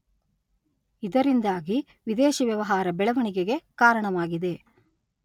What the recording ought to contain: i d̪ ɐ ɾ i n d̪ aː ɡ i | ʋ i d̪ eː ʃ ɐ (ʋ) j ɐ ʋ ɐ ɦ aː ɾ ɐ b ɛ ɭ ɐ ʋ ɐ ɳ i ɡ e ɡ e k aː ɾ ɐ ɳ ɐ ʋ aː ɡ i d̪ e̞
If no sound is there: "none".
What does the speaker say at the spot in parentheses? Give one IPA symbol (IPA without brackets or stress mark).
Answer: ʋ